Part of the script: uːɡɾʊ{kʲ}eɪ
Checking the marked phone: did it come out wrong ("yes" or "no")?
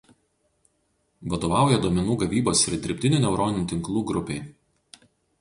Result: yes